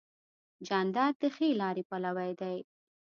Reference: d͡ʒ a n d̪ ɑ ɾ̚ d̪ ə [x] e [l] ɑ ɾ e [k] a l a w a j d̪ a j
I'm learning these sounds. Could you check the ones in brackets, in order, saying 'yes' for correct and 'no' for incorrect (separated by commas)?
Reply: yes, yes, no